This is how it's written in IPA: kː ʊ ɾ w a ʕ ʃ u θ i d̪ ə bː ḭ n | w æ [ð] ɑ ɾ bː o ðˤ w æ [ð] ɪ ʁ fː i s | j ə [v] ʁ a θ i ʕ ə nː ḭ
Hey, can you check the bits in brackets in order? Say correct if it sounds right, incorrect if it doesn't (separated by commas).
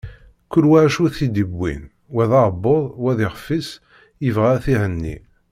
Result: correct, correct, correct